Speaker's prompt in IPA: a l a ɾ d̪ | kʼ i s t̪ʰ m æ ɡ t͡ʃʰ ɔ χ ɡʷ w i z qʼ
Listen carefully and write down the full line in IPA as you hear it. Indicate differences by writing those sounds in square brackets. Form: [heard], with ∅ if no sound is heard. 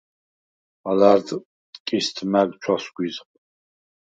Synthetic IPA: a l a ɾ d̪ | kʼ i s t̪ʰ m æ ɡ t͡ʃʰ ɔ [s] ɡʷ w i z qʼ